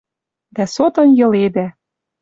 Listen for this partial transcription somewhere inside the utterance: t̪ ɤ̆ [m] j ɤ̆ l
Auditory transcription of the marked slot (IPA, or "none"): n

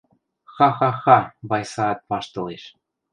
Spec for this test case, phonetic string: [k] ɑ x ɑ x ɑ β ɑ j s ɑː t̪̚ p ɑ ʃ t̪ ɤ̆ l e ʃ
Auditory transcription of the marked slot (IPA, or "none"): x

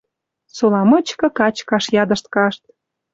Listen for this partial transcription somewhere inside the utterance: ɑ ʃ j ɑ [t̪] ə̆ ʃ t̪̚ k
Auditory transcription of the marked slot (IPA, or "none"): d̪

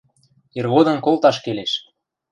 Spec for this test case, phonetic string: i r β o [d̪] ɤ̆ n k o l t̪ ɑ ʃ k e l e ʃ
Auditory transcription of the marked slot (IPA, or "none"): d̪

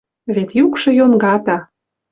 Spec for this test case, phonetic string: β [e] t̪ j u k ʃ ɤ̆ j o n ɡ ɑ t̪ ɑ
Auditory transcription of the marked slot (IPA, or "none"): e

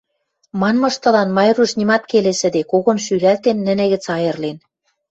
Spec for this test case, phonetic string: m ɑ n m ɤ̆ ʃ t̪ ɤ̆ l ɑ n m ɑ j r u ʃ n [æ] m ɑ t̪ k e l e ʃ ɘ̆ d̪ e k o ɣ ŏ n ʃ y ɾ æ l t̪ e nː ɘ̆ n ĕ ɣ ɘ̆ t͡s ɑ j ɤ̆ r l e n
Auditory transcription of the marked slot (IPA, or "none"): i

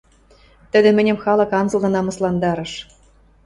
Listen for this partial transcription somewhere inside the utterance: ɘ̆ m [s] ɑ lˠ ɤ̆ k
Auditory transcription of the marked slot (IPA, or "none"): x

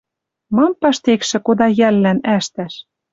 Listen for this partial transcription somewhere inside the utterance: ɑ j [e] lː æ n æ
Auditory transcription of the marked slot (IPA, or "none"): æ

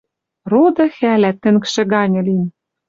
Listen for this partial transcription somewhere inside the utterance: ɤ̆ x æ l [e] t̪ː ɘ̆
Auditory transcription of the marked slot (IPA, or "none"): æ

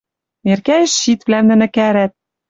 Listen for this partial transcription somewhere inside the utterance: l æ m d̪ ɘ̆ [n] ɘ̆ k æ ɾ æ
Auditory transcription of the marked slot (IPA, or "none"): n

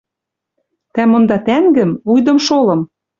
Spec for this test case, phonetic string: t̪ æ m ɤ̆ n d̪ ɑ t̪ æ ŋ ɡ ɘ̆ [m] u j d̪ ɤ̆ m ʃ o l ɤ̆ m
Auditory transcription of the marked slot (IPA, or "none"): m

